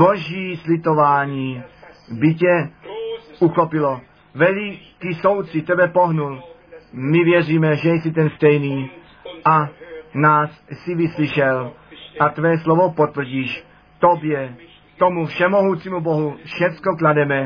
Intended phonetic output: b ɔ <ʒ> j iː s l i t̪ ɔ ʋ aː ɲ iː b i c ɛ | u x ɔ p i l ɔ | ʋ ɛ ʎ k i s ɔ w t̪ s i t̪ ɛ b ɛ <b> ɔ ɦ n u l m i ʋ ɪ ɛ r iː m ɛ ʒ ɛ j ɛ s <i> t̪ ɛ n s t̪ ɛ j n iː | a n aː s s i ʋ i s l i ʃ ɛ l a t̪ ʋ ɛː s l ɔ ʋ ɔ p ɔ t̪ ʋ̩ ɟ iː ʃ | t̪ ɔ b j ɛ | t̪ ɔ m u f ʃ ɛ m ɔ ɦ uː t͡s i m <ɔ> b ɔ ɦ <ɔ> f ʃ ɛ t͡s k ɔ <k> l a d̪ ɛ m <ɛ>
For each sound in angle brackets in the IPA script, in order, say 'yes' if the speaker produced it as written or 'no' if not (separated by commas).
yes, no, yes, no, no, yes, yes